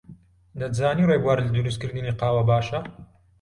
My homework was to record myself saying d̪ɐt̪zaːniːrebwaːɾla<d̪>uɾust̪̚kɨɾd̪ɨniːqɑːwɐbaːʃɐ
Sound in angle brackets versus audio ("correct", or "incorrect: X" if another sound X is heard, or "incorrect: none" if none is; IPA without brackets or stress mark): correct